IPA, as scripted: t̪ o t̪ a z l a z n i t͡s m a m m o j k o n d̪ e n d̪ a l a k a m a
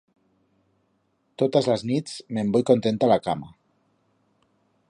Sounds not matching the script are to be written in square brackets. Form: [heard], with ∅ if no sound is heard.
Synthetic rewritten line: t̪ o t̪ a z l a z n i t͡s m [e] m [b] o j k o n [t̪] e n [t̪] a l a k a m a

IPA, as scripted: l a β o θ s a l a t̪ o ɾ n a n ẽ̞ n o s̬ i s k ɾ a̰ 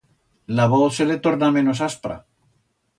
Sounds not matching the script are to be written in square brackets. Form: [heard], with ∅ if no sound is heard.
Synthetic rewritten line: l a β o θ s [e] l [e] t̪ o ɾ n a [m] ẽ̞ n o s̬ [a] s [p] ɾ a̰

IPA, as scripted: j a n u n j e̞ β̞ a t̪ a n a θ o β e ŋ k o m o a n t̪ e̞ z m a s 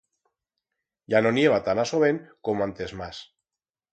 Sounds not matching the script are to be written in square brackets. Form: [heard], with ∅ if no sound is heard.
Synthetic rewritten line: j a n [o] n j e̞ β̞ a t̪ a n a [s] o β e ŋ k o m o a n t̪ e̞ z m a s

